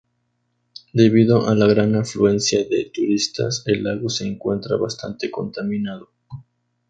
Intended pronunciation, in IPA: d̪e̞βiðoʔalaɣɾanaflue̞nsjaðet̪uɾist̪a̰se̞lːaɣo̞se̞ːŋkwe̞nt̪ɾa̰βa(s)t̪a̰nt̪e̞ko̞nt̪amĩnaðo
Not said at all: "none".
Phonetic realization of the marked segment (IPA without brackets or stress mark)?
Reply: s